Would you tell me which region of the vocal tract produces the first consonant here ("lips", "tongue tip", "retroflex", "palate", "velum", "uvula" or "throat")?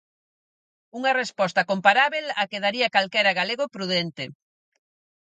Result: velum